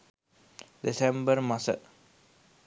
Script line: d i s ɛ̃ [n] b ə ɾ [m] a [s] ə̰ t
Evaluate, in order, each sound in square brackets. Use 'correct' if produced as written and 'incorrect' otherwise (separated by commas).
incorrect, correct, correct